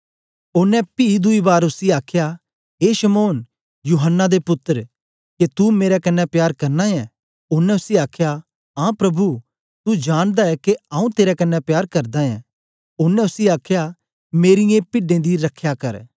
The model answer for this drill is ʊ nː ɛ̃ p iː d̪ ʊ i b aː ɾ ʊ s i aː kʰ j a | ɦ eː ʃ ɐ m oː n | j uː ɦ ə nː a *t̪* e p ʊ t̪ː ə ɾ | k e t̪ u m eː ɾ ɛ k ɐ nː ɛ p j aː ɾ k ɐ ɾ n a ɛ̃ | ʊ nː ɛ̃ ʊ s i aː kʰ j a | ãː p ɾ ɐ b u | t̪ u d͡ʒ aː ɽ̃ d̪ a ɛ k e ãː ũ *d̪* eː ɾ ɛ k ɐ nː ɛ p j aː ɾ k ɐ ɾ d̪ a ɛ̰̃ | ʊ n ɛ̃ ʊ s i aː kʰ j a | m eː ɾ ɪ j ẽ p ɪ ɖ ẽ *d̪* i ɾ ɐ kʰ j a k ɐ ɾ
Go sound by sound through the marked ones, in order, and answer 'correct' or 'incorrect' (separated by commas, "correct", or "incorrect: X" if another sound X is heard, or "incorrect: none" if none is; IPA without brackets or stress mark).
incorrect: d̪, incorrect: t̪, correct